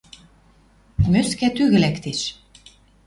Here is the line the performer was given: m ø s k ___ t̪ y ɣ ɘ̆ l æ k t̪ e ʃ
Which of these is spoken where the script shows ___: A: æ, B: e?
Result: A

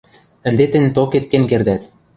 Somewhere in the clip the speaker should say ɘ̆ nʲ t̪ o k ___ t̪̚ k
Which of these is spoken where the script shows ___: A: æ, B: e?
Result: B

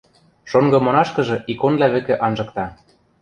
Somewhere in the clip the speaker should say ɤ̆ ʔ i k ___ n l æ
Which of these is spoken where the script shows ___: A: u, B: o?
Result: B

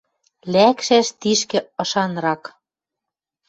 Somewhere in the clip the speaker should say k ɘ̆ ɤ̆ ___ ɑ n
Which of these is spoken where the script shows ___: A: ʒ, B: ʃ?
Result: B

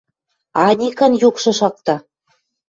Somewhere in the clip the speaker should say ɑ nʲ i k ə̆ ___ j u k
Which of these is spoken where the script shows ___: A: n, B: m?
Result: A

